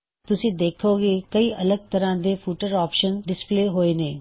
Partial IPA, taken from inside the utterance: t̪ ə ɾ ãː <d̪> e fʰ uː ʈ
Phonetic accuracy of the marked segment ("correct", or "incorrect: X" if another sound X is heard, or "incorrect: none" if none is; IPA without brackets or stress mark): correct